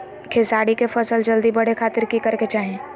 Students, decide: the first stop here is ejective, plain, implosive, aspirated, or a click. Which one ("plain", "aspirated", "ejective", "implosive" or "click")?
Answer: aspirated